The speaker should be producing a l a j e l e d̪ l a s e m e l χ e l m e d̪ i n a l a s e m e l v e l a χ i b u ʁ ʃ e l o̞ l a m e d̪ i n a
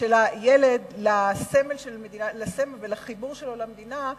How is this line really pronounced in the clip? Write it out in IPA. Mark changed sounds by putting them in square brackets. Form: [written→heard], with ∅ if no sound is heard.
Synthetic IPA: [a→e] l a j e l e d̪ l a s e m e l [χ→ʃ] e l m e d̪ i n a l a s e m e l v e l a χ i b u ʁ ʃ e l o̞ l a m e d̪ i n a